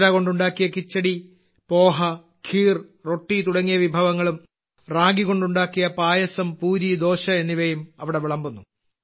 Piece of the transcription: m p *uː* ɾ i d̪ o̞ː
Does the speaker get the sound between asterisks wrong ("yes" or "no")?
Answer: no